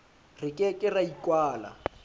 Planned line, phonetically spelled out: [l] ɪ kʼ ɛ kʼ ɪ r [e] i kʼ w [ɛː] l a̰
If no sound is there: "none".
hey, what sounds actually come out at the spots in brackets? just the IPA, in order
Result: r, a, aː

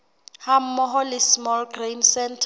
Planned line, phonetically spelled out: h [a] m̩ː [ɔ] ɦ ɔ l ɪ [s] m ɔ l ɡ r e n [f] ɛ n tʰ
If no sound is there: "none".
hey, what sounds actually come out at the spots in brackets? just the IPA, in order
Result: a, ɔ, s, s

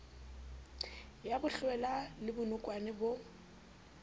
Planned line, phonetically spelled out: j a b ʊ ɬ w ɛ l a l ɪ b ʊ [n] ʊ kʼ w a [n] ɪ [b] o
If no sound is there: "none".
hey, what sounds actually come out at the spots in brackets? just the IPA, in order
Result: n, n, b

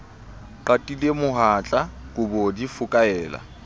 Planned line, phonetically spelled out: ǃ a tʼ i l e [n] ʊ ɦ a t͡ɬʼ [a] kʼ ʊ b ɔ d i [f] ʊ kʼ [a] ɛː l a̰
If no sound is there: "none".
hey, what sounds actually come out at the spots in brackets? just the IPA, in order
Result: m, a, f, a

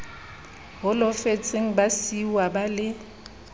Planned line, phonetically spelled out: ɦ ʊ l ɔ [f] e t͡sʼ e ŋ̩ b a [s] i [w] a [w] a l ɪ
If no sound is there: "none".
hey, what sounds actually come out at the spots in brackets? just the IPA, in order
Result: f, s, w, b

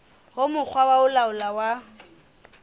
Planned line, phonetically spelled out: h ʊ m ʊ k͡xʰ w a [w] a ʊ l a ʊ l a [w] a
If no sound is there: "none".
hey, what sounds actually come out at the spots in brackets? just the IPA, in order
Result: w, w

